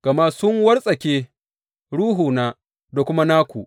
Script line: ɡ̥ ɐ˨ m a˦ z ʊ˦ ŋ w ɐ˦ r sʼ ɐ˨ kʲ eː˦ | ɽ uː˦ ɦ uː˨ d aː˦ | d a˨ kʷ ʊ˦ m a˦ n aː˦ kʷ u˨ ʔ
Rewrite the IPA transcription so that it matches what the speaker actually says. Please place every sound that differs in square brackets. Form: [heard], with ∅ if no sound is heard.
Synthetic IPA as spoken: ɡ̥ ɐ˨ m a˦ [s] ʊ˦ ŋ w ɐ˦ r sʼ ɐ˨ kʲ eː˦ | ɽ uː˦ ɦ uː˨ [n] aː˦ | d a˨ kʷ ʊ˦ m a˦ n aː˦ kʷ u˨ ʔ